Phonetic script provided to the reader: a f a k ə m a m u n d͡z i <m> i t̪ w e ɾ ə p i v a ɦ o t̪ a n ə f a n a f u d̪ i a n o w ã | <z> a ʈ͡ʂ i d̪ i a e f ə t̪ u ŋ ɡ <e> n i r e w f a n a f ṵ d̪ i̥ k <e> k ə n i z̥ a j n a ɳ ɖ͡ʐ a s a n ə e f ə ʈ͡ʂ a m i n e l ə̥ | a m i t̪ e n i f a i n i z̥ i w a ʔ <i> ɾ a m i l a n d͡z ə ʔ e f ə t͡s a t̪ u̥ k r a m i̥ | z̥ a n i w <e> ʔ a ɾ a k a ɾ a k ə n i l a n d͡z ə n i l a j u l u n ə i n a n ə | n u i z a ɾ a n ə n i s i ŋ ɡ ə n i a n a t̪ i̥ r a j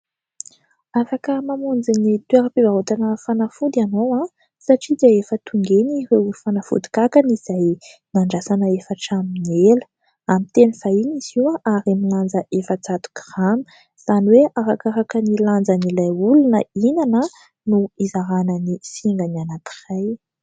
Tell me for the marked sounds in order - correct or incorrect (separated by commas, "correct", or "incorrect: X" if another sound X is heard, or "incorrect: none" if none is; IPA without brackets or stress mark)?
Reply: incorrect: n, incorrect: s, correct, incorrect: a, incorrect: a, correct